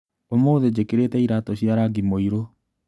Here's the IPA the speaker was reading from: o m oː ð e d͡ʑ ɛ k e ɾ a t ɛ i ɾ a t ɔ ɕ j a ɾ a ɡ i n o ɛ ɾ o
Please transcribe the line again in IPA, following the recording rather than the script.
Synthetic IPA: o m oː ð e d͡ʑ e k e ɾ e t ɛ i ɾ a t ɔ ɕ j a ɾ a ɡ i m o i ɾ o